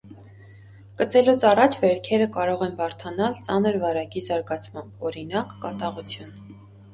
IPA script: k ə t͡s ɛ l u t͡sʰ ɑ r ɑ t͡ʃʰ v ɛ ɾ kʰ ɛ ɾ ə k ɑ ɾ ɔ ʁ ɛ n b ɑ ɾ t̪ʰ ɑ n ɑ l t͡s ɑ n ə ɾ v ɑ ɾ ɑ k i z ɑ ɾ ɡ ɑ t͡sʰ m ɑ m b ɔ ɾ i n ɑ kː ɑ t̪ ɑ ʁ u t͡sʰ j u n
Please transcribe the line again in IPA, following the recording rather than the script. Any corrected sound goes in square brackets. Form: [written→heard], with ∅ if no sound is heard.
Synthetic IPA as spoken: k ə t͡s ɛ l u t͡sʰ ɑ r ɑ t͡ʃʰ v ɛ ɾ kʰ ɛ ɾ ə k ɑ ɾ ɔ ʁ ɛ n b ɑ ɾ t̪ʰ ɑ n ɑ l t͡s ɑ n ə ɾ v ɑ ɾ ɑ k i z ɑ ɾ ɡ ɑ t͡sʰ m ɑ m b ɔ ɾ i n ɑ kː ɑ t̪ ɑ ʁ u t͡sʰ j u n